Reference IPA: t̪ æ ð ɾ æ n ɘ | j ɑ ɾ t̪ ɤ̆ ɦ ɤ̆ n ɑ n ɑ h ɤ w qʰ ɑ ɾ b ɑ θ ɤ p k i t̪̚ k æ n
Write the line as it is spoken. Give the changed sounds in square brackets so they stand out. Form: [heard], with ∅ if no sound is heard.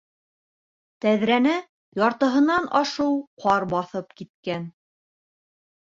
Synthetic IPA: t̪ æ ð ɾ æ n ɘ | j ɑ ɾ t̪ ɤ̆ ɦ ɤ̆ n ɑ n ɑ [ʃ] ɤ w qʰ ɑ ɾ b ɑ θ ɤ p k i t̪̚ k æ n